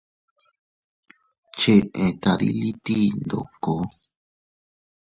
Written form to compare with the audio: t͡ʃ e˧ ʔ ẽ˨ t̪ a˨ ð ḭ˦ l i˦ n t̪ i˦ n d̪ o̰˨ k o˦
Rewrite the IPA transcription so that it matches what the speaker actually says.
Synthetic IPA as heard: t͡ʃ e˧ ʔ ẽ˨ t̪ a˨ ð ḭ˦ l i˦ t̪ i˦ n d̪ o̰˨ k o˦